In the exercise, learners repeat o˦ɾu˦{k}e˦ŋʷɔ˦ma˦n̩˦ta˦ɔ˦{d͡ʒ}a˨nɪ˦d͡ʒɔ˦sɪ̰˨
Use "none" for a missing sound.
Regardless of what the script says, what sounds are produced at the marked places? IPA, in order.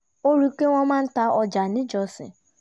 k, d͡ʒ

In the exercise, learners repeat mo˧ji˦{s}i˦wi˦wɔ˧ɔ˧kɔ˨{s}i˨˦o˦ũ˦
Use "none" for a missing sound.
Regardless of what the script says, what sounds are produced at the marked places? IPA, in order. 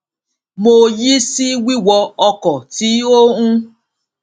s, t

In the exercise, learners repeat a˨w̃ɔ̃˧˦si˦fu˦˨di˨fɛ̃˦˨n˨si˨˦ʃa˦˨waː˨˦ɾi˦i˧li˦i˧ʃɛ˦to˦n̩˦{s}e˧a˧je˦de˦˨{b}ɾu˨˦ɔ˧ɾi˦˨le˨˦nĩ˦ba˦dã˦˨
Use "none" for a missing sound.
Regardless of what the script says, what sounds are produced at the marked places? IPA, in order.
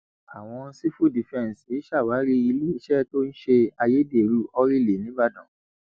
ʃ, none

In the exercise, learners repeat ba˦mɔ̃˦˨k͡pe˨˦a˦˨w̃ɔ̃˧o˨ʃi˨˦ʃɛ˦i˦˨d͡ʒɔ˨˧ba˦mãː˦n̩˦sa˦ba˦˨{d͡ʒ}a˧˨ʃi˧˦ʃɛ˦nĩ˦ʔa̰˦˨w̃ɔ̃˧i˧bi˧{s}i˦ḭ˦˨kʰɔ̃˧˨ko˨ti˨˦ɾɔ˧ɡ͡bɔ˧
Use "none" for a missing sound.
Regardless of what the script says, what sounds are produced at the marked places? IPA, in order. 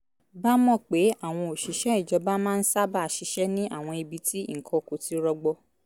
none, t

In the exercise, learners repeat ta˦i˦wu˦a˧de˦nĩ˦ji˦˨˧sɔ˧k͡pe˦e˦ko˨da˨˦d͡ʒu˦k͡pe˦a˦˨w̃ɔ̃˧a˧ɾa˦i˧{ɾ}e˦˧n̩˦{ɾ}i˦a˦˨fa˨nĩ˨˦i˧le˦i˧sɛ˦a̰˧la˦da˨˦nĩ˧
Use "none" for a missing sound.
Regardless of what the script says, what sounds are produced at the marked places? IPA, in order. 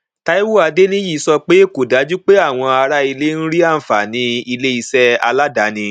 l, ɾ

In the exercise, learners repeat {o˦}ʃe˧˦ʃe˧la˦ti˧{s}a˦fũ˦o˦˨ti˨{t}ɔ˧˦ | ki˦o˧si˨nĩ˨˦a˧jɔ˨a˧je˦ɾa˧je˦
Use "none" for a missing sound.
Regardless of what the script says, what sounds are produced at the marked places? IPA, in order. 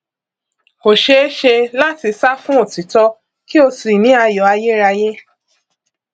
o˨, s, t

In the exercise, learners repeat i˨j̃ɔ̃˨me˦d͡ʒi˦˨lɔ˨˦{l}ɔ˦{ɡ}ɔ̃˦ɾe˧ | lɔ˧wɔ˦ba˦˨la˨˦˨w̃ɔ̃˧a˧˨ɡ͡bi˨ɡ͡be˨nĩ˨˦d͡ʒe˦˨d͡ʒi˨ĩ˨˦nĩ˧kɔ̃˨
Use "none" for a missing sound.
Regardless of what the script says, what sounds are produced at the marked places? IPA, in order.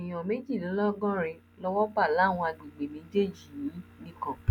l, ɡ

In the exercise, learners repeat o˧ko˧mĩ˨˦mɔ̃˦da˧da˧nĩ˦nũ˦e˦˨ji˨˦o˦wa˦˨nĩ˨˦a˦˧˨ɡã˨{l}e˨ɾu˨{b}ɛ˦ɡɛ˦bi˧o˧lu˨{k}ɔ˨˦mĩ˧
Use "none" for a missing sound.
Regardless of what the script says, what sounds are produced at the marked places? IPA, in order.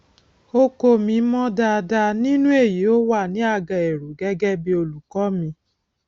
none, ɡ, k

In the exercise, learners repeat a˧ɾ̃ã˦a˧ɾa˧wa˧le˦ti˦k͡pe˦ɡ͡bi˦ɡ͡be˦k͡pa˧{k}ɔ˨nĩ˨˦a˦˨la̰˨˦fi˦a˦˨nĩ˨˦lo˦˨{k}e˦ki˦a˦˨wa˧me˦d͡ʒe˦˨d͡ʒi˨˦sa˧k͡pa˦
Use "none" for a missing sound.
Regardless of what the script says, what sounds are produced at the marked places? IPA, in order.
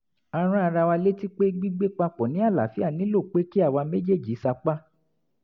k͡p, k͡p

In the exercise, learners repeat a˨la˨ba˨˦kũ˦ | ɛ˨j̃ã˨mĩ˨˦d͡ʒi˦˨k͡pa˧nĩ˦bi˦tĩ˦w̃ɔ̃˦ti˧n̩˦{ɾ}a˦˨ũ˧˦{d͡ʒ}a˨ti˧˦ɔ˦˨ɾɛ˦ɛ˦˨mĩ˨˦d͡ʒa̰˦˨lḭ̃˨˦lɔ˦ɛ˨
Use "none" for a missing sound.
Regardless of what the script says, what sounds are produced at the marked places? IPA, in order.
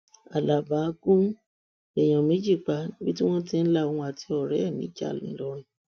l, none

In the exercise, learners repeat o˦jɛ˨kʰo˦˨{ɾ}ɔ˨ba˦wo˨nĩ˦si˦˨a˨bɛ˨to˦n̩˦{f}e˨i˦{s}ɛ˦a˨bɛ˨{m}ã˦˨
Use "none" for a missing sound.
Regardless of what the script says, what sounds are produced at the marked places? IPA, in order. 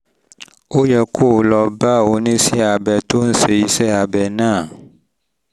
l, s, s, n

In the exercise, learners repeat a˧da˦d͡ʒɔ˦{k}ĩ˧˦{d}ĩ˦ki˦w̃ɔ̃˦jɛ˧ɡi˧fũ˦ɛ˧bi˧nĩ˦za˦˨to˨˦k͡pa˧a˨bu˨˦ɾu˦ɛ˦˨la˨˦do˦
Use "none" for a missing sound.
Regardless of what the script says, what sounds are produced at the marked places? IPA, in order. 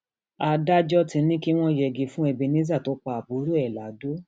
t, n

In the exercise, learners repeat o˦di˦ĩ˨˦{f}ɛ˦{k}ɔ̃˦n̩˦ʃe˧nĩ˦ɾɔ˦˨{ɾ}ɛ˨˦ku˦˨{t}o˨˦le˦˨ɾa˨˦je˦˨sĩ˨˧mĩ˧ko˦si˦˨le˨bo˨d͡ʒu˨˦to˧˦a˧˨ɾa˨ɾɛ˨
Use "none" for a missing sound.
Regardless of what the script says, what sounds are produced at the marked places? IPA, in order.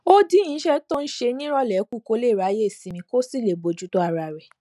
ʃ, t, l, k

